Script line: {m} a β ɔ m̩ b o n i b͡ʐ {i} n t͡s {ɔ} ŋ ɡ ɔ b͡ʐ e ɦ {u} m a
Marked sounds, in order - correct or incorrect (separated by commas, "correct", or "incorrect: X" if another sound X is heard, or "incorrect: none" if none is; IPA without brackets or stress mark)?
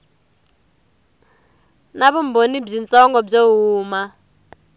incorrect: n, correct, correct, incorrect: uː